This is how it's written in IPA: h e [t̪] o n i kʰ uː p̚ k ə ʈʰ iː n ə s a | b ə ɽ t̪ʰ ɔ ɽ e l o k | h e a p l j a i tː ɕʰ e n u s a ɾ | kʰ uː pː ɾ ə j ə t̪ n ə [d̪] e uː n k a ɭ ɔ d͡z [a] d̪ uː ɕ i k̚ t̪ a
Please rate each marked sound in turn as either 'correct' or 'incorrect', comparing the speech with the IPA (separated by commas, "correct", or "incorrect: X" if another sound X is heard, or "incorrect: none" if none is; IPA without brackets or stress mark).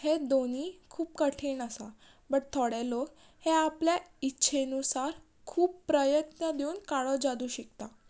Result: incorrect: d̪, correct, correct